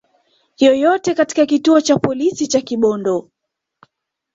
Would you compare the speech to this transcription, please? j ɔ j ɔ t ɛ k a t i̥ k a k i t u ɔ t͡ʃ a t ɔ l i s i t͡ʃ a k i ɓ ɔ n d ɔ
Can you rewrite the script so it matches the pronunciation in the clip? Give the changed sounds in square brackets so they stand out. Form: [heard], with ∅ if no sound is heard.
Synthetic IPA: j ɔ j ɔ t ɛ k a t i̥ k a k i t u ɔ t͡ʃ a [p] ɔ l i s i t͡ʃ a k i ɓ ɔ n d ɔ